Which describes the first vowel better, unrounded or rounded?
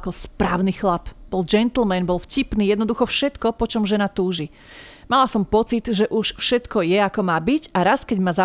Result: rounded